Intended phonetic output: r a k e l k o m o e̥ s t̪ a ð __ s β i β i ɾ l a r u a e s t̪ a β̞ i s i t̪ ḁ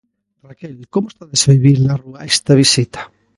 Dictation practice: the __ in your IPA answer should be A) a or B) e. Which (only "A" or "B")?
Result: B